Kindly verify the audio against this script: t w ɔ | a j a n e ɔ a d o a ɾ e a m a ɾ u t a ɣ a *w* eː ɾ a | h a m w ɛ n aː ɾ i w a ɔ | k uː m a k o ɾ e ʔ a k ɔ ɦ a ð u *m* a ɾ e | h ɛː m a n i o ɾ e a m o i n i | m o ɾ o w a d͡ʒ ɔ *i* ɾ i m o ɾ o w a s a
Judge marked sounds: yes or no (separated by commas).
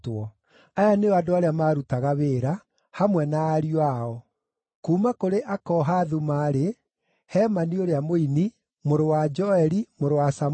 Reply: no, yes, no